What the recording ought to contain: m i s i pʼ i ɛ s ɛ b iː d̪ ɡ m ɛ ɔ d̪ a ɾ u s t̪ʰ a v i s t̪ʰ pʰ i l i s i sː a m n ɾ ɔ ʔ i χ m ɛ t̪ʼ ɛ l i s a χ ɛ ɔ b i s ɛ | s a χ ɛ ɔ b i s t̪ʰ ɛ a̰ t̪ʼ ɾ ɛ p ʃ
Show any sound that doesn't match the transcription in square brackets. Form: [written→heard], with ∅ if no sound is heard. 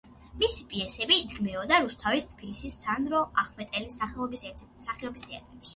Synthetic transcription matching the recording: m i s i pʼ i ɛ s ɛ b iː d̪ ɡ m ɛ ɔ d̪ a ɾ u s t̪ʰ a v i s t̪ʰ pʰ i l i s i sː a [m→∅] n ɾ ɔ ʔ [i→a] χ m ɛ t̪ʼ ɛ l i s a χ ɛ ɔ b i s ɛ | s a χ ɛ ɔ b i s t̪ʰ ɛ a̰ t̪ʼ ɾ ɛ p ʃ